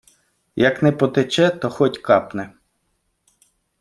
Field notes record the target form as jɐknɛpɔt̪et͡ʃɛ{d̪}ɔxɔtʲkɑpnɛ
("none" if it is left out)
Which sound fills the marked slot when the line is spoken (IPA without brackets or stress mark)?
t̪